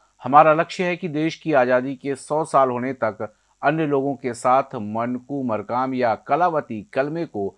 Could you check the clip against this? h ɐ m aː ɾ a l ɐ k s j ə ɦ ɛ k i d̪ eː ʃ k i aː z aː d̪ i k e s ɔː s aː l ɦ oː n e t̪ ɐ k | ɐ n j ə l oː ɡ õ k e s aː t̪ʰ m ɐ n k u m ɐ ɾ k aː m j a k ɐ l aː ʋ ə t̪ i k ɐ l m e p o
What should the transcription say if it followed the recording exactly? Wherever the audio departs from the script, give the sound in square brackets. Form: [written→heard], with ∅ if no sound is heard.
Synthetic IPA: h ɐ m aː ɾ a l ɐ k [s→ʃ] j ə ɦ ɛ k i d̪ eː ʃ k i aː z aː d̪ i k e s ɔː s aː l ɦ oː n e t̪ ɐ k | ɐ n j ə l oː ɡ õ k e s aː t̪ʰ m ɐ n k u m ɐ ɾ k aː m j a k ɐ l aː ʋ ə t̪ i k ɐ l m e [p→k] o